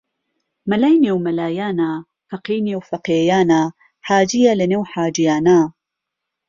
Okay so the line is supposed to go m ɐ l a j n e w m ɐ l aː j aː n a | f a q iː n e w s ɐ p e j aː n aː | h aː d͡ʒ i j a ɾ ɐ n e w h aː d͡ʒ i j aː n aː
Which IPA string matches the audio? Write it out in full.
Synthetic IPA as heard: m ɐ l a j n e w m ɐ l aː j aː n a | f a q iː n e w f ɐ q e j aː n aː | ħ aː d͡ʒ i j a l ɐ n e w ħ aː d͡ʒ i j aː n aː